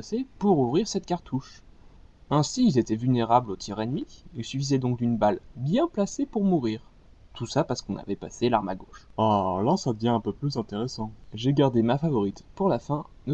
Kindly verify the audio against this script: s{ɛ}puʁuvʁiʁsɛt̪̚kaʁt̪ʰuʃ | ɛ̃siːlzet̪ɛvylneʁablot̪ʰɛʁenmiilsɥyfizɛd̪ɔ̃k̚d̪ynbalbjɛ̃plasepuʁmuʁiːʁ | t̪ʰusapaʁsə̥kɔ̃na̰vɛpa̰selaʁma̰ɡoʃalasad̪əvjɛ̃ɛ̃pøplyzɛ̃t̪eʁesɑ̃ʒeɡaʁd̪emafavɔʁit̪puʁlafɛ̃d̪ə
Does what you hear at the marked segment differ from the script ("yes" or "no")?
yes